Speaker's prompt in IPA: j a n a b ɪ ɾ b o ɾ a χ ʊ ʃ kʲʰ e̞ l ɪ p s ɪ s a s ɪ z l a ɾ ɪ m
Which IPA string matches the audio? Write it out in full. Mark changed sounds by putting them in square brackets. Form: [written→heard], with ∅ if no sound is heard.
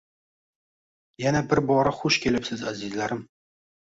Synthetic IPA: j a n a b ɪ ɾ b [o→ɒ] ɾ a χ ʊ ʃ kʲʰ e̞ l ɪ p s ɪ [s→z] a [s→z] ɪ z l a ɾ ɪ m